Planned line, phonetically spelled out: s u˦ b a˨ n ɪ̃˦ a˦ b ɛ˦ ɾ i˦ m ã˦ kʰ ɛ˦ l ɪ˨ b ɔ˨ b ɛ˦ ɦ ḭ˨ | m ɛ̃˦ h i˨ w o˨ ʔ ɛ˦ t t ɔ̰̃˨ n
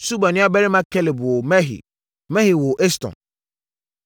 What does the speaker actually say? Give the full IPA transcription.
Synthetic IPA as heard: s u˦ b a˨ n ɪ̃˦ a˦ b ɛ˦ ɾ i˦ m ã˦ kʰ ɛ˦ l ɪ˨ b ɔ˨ m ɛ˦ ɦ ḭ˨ | m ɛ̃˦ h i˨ w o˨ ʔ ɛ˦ s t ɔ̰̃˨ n